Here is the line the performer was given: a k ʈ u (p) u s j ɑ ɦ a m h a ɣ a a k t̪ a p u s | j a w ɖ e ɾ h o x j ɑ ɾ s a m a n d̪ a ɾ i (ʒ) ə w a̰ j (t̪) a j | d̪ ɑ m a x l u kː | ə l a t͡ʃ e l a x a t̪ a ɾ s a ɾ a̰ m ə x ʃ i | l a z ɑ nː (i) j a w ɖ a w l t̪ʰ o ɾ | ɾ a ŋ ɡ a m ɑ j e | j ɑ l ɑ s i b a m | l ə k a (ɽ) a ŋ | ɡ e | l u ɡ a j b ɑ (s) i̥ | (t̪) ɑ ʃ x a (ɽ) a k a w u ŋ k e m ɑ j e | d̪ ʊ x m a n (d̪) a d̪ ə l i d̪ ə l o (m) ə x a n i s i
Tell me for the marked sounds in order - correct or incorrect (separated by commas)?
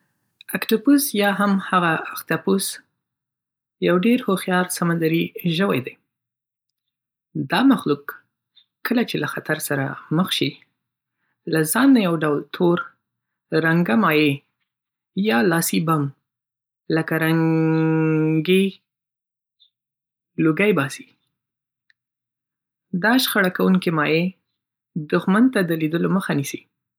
correct, correct, incorrect, incorrect, incorrect, correct, incorrect, correct, incorrect, correct